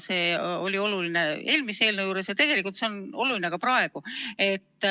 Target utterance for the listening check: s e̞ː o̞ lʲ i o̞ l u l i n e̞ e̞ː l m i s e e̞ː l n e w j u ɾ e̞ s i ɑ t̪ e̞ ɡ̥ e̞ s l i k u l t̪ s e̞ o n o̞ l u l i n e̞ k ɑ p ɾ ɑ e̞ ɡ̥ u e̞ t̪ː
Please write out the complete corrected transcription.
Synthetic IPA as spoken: s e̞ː o̞ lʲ i o̞ l u l i n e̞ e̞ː l m i s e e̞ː l n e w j uː ɾ e̞ s j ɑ t̪ e̞ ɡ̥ e̞ l i k u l t̪ s e̞ o n o̞ l u l i n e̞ k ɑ p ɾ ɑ e̞ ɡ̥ u e̞ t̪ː

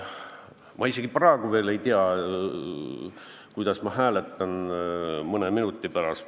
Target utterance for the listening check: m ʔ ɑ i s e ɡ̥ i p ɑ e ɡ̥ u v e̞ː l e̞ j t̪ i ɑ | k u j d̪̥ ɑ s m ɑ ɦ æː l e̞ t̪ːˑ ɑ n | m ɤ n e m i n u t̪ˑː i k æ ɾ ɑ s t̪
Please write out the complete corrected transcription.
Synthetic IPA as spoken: m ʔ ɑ i s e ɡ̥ i p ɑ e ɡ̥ u v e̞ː l e̞ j t̪ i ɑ | k u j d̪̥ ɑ s m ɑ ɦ æː l e̞ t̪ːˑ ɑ n | m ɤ n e m i n u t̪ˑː i p æ ɾ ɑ s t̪

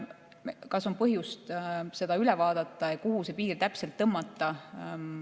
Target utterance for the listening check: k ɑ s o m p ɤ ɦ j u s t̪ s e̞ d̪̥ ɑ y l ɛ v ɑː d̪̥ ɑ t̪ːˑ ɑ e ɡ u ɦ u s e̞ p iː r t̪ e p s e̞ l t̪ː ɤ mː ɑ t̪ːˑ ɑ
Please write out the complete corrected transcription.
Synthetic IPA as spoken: k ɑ s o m p ɤ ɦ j u s t̪ s e̞ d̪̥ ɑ y l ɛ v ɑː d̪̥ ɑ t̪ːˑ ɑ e k u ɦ u s e̞ p iː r t̪ æ p s e̞ l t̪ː ɤ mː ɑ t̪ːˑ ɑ

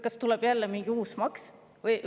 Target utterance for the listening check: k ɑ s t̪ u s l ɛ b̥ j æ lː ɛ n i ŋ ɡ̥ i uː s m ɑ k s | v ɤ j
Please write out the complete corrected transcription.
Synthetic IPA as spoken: k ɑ s t̪ u l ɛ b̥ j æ lː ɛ m i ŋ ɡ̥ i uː s m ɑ k s | v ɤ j

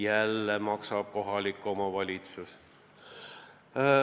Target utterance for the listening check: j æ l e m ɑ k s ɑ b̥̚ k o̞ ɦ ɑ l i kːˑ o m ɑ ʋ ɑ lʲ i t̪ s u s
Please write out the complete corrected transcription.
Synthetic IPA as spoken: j æ lː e m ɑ k s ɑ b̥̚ k o̞ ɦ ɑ l i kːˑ o m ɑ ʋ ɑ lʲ i t̪ s u s

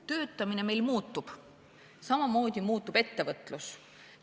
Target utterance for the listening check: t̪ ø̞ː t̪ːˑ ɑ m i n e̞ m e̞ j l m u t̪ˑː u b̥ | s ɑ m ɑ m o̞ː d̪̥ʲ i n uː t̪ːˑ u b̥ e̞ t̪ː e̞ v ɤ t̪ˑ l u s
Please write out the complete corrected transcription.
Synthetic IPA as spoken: t̪ ø̞ː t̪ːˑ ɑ m i n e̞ m e̞ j l m uː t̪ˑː u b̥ | s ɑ m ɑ m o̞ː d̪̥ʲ i m uː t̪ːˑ u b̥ e̞ t̪ː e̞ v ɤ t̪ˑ l u s

